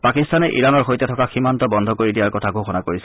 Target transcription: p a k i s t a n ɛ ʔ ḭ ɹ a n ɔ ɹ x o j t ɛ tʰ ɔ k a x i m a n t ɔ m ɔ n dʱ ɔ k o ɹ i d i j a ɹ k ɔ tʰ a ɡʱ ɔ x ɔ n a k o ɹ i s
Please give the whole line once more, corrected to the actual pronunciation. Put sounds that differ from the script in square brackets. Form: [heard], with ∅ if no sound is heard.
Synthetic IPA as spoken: p a k i s t a n ɛ ʔ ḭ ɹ a n ɔ ɹ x o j t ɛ tʰ ɔ k a x i m a n t ɔ [b] ɔ n dʱ ɔ k o ɹ i d i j a ɹ k ɔ tʰ a ɡʱ [o] x ɔ n a k o ɹ i s